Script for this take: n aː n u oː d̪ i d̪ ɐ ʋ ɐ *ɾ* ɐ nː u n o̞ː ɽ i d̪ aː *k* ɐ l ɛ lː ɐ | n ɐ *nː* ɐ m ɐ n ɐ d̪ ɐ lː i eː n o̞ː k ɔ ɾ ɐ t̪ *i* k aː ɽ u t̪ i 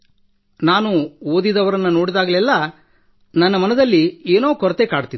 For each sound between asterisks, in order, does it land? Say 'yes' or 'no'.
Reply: yes, no, yes, no

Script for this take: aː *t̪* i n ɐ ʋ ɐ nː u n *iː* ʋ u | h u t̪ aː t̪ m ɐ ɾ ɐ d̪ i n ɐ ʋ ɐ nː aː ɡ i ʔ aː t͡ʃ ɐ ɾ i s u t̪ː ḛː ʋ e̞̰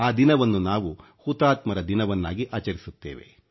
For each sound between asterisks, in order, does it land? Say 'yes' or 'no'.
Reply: no, no

